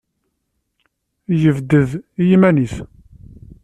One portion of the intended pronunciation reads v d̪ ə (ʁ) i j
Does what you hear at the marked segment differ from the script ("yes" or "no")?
yes